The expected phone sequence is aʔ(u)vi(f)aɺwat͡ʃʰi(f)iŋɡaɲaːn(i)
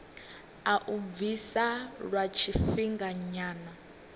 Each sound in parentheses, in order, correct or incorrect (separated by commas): correct, incorrect, correct, incorrect